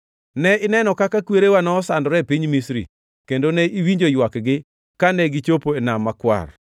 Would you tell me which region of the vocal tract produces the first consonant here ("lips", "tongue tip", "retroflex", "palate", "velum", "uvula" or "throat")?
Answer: tongue tip